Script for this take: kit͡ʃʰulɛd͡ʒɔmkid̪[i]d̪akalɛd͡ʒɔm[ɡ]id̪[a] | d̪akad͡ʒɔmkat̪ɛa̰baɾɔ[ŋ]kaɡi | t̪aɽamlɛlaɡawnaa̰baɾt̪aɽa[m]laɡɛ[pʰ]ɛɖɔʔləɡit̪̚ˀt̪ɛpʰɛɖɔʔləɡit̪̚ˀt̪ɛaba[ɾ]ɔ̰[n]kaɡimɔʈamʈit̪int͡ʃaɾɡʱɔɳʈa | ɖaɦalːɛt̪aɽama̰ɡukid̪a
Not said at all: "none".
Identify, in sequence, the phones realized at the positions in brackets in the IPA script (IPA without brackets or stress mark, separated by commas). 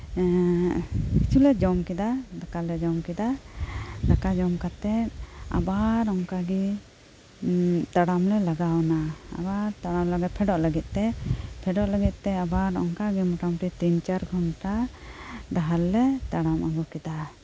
a, k, a, ŋ, m, pʰ, ɾ, ŋ